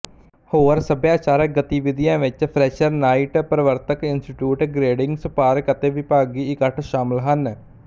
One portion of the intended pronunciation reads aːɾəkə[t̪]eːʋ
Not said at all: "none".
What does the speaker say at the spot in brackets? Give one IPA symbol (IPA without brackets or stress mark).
t̪